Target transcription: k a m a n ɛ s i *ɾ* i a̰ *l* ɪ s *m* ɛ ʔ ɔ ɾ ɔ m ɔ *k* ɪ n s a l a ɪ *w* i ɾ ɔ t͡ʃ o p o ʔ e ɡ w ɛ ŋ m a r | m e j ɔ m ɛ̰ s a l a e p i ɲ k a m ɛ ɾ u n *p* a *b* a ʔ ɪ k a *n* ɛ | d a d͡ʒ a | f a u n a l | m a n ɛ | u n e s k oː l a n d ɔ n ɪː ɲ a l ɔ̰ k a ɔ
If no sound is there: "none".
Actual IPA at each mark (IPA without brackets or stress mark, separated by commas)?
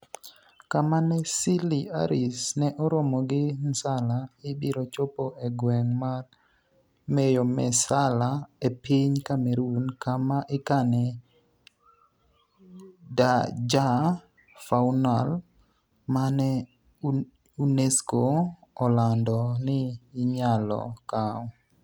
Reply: l, ɾ, n, ɡ, b, k, m, n